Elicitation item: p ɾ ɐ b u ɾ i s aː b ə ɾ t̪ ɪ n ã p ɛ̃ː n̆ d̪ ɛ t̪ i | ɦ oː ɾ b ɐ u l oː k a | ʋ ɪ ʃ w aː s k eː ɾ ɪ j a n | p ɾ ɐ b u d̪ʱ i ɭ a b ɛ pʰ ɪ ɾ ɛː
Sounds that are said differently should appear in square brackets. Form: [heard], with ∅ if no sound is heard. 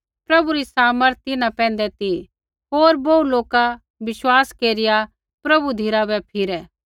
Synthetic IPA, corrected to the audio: p ɾ ɐ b u ɾ i s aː [m] ə ɾ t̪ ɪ n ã p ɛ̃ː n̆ d̪ ɛ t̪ i | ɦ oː ɾ b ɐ u l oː k a | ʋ ɪ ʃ w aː s k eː ɾ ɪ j a [∅] | p ɾ ɐ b u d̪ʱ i [ɾ] a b ɛ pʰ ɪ ɾ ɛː